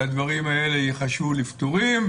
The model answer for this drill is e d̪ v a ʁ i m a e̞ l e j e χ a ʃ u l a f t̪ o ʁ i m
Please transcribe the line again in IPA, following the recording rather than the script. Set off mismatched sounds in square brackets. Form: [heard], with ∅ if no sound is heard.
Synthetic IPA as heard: [a] d̪ v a ʁ i m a e̞ l e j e χ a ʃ u l [i] f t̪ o ʁ i m